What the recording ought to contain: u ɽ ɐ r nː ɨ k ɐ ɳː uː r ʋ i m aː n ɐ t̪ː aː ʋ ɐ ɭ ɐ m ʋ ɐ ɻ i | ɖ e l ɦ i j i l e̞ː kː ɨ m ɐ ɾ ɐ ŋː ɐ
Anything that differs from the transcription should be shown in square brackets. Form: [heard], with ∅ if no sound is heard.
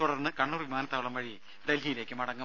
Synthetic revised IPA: u ɽ ɐ r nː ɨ k ɐ ɳː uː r ʋ i m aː n ɐ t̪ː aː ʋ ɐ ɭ ɐ m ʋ ɐ ɻ i | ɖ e l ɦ i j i l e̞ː kː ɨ m ɐ [ɽ] ɐ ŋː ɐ